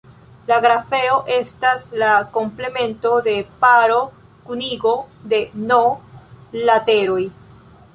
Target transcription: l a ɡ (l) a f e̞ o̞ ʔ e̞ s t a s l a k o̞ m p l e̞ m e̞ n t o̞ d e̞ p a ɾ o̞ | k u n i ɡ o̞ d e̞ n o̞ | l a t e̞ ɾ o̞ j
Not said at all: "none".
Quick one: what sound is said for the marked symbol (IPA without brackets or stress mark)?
ɾ